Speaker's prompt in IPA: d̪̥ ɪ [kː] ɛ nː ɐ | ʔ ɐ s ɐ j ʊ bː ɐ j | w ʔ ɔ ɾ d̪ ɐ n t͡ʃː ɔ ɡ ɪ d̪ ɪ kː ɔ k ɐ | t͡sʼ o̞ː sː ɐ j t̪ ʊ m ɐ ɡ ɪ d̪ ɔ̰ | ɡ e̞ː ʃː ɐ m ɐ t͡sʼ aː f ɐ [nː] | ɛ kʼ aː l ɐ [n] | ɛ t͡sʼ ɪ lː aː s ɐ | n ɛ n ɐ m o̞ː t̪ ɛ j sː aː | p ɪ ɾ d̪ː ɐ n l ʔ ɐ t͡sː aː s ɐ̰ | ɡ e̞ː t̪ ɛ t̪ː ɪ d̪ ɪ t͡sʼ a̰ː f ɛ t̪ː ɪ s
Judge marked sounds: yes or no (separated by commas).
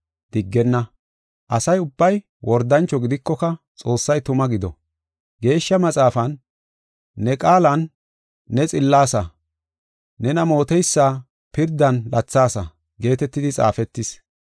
no, yes, no